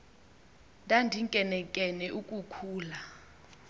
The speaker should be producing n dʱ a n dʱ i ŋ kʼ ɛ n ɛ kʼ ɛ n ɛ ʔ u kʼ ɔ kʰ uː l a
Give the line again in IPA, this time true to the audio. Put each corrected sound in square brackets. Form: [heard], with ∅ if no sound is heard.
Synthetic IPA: n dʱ a n dʱ i ŋ kʼ ɛ n ɛ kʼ ɛ n ɛ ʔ u kʼ [u] kʰ uː l a